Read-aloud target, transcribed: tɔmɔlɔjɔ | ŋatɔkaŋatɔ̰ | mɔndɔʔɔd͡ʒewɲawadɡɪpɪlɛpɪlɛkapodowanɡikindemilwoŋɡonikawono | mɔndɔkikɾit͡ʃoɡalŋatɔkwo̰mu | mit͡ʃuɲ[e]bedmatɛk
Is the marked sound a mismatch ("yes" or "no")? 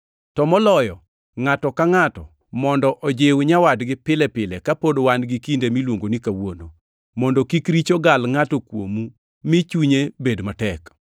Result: no